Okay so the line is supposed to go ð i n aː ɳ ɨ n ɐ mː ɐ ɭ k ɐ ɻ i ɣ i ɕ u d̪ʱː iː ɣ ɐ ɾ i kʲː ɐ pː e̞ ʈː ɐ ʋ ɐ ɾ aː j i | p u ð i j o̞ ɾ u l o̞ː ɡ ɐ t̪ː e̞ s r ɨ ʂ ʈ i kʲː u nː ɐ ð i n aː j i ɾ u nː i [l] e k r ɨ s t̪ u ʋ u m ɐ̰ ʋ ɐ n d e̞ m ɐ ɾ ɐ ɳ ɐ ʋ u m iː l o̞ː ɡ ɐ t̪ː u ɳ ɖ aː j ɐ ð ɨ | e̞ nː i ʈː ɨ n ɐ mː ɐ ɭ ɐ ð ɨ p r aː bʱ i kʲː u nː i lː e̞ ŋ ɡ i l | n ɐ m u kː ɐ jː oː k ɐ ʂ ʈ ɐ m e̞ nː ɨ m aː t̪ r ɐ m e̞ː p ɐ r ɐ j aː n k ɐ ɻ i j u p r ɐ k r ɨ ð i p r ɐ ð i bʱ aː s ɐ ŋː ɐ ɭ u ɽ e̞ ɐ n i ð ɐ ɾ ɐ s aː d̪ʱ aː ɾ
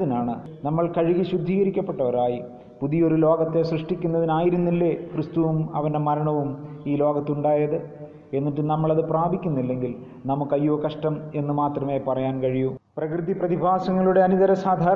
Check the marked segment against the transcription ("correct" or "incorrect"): incorrect